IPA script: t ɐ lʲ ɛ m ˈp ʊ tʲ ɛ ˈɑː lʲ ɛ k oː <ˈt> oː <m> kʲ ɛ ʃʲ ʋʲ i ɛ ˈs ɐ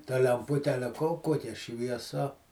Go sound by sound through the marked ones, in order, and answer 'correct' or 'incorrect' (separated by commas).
incorrect, incorrect